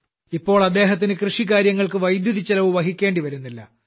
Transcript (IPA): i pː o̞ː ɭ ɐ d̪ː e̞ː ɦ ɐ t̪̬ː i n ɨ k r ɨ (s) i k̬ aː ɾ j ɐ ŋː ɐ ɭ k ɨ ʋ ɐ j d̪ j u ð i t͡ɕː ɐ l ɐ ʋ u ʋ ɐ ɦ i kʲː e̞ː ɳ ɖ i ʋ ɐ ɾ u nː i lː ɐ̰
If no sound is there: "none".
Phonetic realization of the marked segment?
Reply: ʂ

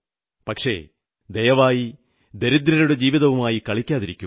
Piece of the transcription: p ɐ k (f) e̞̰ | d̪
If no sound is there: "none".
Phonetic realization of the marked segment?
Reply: ʂ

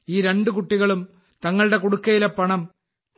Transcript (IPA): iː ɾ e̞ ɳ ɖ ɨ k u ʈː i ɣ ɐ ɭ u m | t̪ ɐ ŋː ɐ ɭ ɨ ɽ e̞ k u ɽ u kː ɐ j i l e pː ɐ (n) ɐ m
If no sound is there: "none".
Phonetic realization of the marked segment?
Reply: ɳ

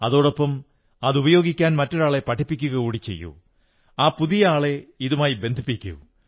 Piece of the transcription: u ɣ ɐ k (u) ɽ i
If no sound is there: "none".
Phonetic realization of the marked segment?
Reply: uː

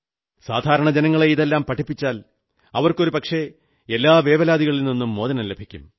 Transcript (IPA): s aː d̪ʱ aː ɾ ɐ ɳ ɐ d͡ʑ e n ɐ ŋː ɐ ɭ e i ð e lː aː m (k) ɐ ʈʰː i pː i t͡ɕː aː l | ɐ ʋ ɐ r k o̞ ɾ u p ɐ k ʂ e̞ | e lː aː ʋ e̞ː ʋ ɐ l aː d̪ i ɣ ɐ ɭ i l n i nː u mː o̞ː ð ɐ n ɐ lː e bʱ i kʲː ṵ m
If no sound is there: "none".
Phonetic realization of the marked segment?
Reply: p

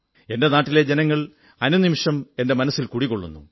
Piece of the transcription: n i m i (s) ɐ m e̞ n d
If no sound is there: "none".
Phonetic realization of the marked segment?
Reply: ʂ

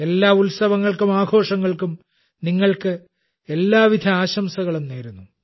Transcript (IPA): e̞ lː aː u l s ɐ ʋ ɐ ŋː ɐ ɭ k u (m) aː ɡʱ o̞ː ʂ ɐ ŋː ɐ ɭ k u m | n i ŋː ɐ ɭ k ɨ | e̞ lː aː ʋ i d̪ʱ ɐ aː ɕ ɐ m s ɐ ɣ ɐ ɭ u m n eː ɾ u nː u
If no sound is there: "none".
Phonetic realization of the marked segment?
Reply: m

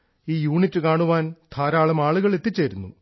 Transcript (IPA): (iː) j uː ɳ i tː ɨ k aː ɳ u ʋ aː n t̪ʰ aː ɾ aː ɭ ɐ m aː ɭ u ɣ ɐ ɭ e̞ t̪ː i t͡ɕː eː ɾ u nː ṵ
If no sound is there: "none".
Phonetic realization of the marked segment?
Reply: iː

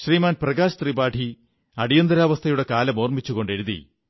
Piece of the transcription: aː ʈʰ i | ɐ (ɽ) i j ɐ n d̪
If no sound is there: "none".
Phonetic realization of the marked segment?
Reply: ɽ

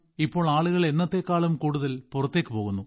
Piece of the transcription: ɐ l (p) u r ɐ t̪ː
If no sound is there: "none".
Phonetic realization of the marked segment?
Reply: p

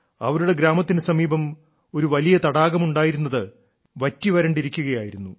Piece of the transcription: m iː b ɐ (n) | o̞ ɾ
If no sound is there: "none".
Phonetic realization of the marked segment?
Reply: m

